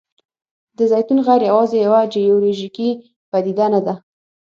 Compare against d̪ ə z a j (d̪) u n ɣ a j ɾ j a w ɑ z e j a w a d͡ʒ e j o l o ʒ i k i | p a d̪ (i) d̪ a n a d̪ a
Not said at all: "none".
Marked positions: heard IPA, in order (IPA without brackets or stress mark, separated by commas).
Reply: t̪, i